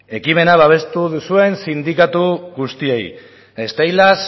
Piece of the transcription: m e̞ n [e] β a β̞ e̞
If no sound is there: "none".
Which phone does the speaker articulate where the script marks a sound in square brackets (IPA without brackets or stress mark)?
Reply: a